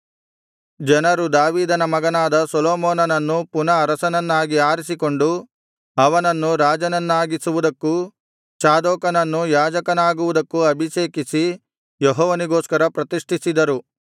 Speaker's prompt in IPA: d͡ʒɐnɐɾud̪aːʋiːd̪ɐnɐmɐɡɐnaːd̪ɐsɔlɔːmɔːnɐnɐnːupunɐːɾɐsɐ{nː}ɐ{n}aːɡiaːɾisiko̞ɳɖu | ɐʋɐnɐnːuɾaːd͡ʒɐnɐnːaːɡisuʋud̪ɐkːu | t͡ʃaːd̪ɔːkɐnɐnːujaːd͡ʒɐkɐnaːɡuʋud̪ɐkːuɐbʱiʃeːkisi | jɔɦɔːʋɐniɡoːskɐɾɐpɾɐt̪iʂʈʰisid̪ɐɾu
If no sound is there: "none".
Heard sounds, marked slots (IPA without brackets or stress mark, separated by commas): n, nː